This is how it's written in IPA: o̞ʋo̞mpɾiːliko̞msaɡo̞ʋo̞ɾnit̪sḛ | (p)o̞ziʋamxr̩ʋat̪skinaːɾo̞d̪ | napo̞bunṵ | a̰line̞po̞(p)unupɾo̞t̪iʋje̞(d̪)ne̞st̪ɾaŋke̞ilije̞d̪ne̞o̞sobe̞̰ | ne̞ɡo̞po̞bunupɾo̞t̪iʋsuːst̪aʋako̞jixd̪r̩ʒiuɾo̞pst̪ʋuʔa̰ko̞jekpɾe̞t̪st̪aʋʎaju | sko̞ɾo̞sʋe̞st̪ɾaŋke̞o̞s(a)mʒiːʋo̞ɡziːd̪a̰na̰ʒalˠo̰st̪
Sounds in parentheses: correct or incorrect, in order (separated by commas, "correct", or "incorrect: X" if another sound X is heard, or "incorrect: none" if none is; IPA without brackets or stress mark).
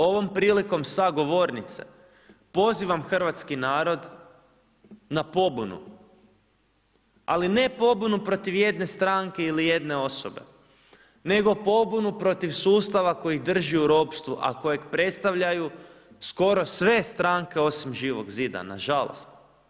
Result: correct, incorrect: b, correct, incorrect: i